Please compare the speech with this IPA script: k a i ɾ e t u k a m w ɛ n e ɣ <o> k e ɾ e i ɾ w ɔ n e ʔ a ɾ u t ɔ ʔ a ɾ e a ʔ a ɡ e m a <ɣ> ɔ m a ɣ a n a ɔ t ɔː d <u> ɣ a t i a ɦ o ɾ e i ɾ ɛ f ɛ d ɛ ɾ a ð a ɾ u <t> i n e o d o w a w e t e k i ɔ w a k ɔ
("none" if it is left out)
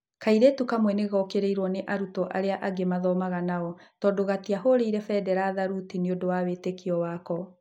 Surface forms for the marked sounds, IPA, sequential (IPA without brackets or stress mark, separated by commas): ɔ, ð, o, t